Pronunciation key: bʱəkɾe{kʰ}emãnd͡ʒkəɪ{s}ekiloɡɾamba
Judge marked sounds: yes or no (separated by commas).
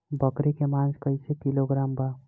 no, yes